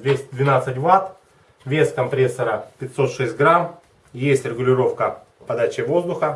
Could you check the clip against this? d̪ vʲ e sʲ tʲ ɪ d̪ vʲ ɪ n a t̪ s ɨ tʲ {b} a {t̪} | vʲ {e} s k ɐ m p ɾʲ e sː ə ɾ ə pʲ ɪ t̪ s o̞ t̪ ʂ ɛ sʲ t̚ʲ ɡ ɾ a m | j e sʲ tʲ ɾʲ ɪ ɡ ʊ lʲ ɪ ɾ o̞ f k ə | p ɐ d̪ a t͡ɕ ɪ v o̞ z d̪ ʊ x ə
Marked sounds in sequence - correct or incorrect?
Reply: incorrect: v, correct, correct

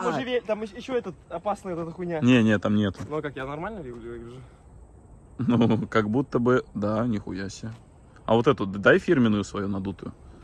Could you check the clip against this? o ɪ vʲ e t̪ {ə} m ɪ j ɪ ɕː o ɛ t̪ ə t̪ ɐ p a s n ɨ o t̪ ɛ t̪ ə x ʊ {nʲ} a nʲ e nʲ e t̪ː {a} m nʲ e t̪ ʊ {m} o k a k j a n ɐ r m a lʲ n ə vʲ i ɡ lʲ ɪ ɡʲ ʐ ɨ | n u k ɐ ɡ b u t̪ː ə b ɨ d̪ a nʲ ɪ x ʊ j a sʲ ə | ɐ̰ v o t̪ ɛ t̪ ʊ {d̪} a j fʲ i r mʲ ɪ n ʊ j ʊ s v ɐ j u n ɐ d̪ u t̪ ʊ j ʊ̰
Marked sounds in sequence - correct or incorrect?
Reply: incorrect: a, correct, correct, incorrect: n, correct

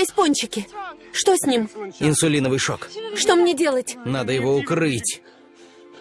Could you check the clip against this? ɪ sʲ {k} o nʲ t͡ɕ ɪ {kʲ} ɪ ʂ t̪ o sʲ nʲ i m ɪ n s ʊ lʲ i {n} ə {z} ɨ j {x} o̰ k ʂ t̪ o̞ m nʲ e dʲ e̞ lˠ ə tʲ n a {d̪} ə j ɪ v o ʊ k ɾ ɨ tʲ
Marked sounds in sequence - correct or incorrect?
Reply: incorrect: p, correct, correct, incorrect: v, incorrect: ʂ, correct

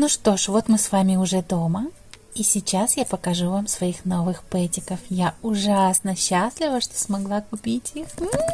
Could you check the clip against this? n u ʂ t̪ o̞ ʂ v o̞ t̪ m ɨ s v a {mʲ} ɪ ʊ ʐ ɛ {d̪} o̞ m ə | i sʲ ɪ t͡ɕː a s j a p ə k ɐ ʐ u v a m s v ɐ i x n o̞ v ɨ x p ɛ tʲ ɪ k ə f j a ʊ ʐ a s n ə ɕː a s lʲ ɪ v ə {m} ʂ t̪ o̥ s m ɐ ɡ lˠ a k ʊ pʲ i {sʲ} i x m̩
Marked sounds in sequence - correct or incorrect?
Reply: correct, correct, incorrect: none, incorrect: tʲ

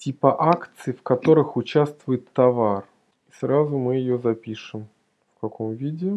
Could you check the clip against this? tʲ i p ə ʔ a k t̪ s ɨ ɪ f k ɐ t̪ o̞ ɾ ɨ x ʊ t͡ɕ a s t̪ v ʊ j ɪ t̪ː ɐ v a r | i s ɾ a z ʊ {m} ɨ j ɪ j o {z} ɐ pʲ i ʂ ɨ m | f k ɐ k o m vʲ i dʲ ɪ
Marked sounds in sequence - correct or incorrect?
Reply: correct, correct

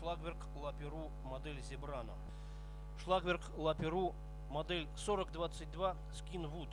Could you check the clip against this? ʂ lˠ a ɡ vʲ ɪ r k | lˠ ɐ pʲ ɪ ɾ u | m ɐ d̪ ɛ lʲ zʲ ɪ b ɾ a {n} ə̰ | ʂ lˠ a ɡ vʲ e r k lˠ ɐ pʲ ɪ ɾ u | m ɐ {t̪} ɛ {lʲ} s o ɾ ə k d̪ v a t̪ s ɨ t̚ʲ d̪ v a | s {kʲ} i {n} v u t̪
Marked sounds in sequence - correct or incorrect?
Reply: correct, incorrect: d̪, correct, correct, correct

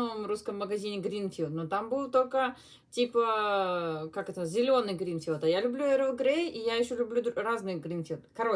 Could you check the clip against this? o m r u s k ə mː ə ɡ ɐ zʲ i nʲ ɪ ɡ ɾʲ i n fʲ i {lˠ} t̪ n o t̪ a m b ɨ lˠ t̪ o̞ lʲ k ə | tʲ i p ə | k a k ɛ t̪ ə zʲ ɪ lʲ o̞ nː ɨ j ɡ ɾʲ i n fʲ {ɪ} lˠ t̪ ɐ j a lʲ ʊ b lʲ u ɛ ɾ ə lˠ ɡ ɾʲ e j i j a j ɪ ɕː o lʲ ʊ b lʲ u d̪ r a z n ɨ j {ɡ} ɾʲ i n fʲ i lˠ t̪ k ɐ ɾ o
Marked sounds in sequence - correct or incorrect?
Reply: correct, incorrect: i, correct

